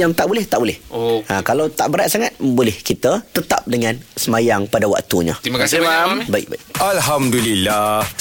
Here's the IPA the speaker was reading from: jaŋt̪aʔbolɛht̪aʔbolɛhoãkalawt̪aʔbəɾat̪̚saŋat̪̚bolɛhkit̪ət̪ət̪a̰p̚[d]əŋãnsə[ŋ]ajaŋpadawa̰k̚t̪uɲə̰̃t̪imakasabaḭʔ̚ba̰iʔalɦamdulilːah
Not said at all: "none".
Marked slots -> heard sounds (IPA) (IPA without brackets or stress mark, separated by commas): d, m